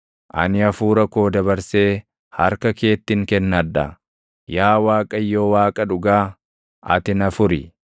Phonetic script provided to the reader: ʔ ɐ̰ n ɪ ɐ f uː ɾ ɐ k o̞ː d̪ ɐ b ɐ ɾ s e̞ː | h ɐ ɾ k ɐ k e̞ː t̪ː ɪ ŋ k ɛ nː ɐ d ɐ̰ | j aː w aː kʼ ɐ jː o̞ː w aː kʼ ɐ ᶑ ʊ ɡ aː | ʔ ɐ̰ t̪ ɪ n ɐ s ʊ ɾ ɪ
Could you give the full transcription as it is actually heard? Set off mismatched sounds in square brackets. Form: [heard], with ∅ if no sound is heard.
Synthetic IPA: ʔ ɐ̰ n ɪ ɐ f uː ɾ ɐ k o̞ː d̪ ɐ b ɐ ɾ s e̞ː | h ɐ ɾ k ɐ k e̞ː t̪ː ɪ ŋ k ɛ nː ɐ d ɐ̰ | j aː w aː kʼ ɐ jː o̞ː w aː kʼ ɐ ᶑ ʊ ɡ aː | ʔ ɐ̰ t̪ ɪ n ɐ [f] ʊ ɾ ɪ

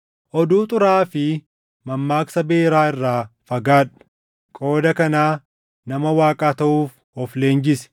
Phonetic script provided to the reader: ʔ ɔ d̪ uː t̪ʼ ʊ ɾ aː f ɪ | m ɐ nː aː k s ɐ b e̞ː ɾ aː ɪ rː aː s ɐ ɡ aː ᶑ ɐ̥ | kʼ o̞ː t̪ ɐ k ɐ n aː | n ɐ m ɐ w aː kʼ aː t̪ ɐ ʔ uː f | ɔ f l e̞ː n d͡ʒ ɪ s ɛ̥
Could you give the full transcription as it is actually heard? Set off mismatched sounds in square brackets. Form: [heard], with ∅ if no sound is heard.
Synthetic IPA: ʔ ɔ d̪ uː t̪ʼ ʊ ɾ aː f ɪ | m ɐ [mː] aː k s ɐ b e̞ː ɾ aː ɪ rː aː [f] ɐ ɡ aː ᶑ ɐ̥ | kʼ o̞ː [d̪] ɐ k ɐ n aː | n ɐ m ɐ w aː kʼ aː t̪ ɐ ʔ uː f | ɔ f l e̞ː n d͡ʒ ɪ s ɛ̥

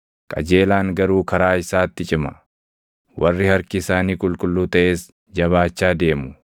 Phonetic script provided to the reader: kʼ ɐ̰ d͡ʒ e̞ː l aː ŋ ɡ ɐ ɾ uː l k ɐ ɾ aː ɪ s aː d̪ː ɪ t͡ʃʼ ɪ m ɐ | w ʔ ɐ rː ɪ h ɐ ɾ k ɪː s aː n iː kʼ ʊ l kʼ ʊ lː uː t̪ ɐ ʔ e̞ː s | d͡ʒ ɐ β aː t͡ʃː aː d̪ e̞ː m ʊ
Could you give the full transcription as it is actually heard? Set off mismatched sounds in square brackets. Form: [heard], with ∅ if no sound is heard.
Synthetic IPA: kʼ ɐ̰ d͡ʒ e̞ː l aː ŋ ɡ ɐ ɾ uː [∅] k ɐ ɾ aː ɪ s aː [t̪ː] ɪ t͡ʃʼ ɪ m ɐ | w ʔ ɐ rː ɪ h ɐ ɾ k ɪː s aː n iː kʼ ʊ l kʼ ʊ lː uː t̪ ɐ ʔ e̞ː s | d͡ʒ ɐ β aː t͡ʃː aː d̪ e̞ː m ʊ

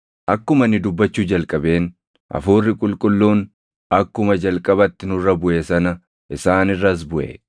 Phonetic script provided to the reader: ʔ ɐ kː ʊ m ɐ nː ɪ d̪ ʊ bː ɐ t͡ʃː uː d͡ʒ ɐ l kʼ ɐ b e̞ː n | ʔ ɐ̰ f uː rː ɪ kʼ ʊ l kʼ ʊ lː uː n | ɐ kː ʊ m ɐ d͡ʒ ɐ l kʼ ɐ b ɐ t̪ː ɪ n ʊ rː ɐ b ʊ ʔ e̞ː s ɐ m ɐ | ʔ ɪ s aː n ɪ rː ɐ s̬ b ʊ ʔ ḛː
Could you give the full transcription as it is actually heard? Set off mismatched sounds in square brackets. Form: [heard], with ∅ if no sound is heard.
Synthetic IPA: ʔ ɐ kː ʊ m ɐ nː ɪ d̪ ʊ bː ɐ t͡ʃː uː d͡ʒ ɐ l kʼ ɐ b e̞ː n | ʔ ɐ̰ f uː rː ɪ kʼ ʊ l kʼ ʊ lː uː n | ɐ kː ʊ m ɐ d͡ʒ ɐ l kʼ ɐ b ɐ t̪ː ɪ n ʊ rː ɐ b ʊ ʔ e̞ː s ɐ [n] ɐ | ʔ ɪ s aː n ɪ rː ɐ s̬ b ʊ ʔ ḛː

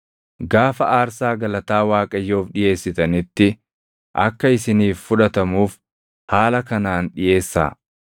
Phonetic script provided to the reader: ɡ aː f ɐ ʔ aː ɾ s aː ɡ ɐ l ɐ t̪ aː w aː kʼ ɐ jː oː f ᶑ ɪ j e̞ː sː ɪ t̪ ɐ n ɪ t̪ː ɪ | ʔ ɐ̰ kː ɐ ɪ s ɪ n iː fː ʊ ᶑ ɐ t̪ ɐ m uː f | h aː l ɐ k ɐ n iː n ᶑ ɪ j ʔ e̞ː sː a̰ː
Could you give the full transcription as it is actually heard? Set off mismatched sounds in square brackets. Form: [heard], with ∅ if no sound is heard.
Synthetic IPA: ɡ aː f ɐ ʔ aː ɾ s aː ɡ ɐ l ɐ t̪ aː w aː kʼ ɐ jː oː f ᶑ ɪ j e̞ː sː ɪ t̪ ɐ n ɪ t̪ː ɪ | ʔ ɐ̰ kː ɐ ɪ s ɪ n iː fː ʊ ᶑ ɐ t̪ ɐ m uː f | h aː l ɐ k ɐ n [aː] n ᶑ ɪ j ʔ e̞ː sː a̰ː

